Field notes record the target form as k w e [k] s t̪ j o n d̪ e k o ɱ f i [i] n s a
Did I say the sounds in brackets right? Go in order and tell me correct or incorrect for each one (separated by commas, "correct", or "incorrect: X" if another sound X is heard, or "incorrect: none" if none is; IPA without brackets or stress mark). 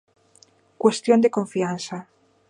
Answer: incorrect: none, incorrect: a